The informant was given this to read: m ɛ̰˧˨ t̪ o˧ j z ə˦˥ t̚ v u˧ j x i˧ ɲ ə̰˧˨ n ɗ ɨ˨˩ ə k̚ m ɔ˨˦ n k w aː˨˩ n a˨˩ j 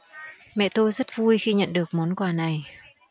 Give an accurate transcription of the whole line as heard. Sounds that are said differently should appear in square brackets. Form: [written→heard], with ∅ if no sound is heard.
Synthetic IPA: m ɛ̰˧˨ t̪ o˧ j z ə˦˥ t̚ v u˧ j x i˧ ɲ ə̰˧˨ n ɗ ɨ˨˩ ə k̚ m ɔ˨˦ n k w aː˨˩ n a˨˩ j

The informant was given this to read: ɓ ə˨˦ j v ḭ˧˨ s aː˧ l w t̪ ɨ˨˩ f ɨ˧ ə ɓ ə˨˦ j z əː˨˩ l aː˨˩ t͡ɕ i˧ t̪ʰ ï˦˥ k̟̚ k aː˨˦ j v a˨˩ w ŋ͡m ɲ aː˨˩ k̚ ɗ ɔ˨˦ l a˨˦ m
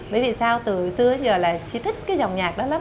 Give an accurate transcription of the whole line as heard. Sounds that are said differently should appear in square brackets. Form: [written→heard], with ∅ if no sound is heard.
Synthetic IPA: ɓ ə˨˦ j v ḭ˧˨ s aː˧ [l→∅] w t̪ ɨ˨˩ [f→s] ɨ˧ ə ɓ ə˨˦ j z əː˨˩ l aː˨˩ t͡ɕ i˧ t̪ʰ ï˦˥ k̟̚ k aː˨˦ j [v→z] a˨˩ w ŋ͡m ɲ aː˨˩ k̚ ɗ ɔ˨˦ l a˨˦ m

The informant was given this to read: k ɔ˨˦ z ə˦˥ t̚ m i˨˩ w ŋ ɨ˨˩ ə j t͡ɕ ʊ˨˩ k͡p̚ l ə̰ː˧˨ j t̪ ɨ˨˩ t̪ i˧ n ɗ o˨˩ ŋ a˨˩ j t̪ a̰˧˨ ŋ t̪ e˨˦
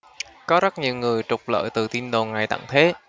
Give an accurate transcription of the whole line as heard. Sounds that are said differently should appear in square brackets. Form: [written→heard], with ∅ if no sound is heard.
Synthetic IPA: k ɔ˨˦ z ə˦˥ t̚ [m→ɲ] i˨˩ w ŋ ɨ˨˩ ə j t͡ɕ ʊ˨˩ k͡p̚ l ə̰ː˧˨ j t̪ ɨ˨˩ t̪ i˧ n ɗ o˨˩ ŋ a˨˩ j t̪ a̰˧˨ ŋ [t̪→t̪ʰ] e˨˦

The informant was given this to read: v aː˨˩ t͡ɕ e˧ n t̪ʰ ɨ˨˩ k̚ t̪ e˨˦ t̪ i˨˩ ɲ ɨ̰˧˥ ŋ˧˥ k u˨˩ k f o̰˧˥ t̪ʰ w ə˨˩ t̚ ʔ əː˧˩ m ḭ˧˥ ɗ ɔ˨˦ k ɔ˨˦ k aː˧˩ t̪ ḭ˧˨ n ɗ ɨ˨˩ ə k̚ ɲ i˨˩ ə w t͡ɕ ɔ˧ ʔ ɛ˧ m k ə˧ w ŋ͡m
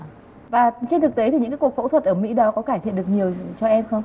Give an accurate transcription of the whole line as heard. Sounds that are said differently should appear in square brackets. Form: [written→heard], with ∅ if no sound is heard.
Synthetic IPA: v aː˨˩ t͡ɕ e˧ n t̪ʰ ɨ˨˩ k̚ t̪ e˨˦ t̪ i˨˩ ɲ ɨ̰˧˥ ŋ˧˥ k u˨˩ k f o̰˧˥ t̪ʰ w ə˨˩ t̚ ʔ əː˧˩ m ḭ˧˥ ɗ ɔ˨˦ k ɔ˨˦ k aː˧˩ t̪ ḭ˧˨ n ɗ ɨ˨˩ ə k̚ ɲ i˨˩ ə w t͡ɕ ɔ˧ ʔ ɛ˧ m [k→x] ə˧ w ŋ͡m

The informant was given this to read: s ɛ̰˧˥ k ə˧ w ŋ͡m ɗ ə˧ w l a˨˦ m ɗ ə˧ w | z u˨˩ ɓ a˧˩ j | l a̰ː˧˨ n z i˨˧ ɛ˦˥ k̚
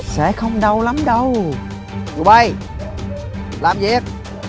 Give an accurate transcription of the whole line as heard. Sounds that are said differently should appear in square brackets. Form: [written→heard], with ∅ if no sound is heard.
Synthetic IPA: s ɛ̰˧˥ [k→x] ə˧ w ŋ͡m ɗ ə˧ w l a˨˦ m ɗ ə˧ w | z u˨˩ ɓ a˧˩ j | l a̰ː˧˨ [n→m] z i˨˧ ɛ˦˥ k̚

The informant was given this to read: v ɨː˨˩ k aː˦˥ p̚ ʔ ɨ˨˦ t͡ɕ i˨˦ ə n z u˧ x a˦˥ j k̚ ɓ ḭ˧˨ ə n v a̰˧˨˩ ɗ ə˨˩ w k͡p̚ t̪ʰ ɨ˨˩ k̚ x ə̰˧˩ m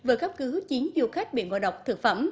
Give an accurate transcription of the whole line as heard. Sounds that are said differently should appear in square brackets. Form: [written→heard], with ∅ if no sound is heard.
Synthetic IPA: v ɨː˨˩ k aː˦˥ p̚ [ʔ→k] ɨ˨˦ t͡ɕ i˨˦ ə n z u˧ x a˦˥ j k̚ ɓ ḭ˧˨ ə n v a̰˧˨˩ ɗ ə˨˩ w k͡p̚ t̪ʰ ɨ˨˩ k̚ [x→f] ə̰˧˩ m

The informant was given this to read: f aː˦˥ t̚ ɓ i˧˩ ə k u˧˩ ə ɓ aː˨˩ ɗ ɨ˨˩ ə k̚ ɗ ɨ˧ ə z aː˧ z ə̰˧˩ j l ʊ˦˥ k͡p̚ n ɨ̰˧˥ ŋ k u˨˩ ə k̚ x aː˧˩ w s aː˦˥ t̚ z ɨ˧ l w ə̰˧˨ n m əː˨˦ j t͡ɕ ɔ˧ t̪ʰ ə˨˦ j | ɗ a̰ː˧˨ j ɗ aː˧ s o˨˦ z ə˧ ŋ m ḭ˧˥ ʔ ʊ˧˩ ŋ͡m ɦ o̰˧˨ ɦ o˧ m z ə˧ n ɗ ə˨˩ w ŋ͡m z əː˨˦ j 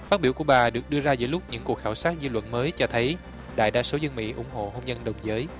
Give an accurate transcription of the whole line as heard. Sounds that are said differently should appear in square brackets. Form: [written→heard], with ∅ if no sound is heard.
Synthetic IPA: f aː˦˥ t̚ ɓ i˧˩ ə k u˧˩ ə ɓ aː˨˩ ɗ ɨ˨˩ ə k̚ ɗ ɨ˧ ə z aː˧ z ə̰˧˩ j l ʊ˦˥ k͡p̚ [n→ɲ] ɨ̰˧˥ ŋ k u˨˩ ə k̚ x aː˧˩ w s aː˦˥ t̚ z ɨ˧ l w ə̰˧˨ n m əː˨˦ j t͡ɕ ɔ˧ t̪ʰ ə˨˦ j | ɗ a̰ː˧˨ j ɗ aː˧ s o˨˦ z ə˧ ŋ m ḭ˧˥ ʔ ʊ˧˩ ŋ͡m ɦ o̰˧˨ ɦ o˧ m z ə˧ n ɗ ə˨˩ w ŋ͡m z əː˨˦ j

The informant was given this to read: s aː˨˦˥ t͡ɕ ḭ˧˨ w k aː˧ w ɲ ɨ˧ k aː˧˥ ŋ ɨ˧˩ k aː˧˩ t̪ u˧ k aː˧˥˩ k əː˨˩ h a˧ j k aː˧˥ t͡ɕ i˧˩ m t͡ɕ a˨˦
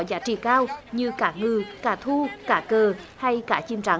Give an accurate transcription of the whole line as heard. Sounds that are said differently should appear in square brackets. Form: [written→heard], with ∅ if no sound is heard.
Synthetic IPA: [s→z] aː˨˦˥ t͡ɕ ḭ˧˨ [w→∅] k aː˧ w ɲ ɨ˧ k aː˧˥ ŋ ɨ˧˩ k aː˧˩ [t̪→t̪ʰ] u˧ k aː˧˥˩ k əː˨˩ h a˧ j k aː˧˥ t͡ɕ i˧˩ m t͡ɕ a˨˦

